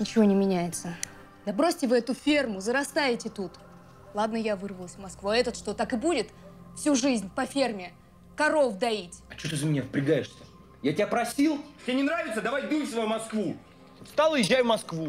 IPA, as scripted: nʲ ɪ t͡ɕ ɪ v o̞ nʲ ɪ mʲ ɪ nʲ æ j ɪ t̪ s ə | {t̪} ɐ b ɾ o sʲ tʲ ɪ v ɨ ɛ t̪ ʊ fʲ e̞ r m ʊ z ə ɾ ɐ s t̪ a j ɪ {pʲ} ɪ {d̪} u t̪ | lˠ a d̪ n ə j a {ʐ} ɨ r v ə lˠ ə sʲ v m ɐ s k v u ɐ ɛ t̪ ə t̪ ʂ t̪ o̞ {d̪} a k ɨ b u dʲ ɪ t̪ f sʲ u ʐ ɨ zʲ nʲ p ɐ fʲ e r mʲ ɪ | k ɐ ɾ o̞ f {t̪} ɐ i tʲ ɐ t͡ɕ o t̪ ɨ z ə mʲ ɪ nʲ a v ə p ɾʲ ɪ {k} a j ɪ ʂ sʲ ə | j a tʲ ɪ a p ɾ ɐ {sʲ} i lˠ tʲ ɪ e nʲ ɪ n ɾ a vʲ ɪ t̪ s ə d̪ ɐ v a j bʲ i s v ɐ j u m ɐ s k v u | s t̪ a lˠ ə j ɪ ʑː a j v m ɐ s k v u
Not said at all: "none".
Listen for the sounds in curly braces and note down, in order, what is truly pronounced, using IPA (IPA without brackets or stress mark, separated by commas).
d̪, tʲ, t̪, v, t̪, d̪, ɡ, sʲ